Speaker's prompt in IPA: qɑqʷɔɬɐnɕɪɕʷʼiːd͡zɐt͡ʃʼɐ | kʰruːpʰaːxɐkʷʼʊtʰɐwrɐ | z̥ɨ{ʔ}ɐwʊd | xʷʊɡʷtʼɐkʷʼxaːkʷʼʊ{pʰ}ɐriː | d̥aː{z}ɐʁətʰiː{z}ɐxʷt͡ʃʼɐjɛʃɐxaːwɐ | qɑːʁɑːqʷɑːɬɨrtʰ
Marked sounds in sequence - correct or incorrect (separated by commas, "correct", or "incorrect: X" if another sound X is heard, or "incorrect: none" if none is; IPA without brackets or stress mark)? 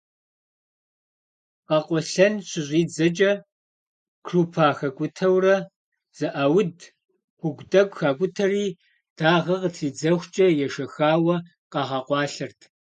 correct, incorrect: tʰ, incorrect: ʁ, incorrect: d͡z